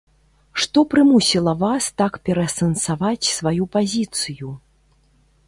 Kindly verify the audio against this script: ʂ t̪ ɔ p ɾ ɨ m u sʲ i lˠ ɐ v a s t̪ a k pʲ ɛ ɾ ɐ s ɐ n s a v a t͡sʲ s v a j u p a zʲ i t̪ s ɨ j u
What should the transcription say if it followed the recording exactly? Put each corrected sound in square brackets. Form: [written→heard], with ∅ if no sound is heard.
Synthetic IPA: ʂ t̪ ɔ p ɾ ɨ m u sʲ i lˠ ɐ v a s t̪ a k pʲ ɛ ɾ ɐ s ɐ n s a v a t͡sʲ s v a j u p a zʲ i t̪ s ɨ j u